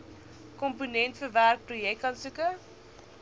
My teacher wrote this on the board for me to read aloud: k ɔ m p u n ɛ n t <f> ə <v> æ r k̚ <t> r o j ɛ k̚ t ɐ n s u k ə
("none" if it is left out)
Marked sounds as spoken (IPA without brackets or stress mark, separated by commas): f, v, p